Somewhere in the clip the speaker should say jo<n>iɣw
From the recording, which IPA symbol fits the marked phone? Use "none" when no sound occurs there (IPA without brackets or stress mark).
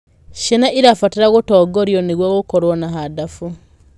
n